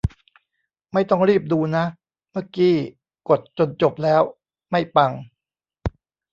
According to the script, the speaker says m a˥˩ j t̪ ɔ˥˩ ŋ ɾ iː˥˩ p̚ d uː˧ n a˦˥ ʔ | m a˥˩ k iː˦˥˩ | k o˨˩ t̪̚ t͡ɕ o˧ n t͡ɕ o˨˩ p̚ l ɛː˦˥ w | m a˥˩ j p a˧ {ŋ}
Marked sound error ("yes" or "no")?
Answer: no